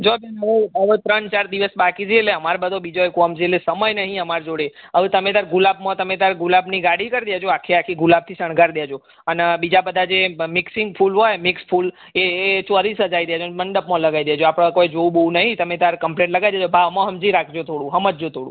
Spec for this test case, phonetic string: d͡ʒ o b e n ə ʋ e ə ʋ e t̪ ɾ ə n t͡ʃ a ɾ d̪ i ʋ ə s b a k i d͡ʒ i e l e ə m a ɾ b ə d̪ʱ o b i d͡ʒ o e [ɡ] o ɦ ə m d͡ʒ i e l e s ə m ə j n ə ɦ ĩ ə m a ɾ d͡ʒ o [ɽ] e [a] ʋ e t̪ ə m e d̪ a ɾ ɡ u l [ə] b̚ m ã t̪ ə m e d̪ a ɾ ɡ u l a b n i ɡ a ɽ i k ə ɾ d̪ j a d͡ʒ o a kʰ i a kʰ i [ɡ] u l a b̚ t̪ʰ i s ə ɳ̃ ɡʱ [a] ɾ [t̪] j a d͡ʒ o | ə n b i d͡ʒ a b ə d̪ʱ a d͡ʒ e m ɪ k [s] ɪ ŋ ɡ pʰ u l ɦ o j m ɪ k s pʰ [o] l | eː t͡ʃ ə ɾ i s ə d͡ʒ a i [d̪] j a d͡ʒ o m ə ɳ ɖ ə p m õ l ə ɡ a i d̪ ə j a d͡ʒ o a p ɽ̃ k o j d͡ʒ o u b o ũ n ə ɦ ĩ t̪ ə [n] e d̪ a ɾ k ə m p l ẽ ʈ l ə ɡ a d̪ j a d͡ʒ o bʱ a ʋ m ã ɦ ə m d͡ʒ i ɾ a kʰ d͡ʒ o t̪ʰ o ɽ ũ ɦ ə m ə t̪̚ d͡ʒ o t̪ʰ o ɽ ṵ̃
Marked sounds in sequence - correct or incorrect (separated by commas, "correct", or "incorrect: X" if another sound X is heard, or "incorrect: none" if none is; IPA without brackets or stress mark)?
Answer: incorrect: k, correct, incorrect: ə, incorrect: a, correct, correct, incorrect: d̪, correct, incorrect: u, correct, incorrect: m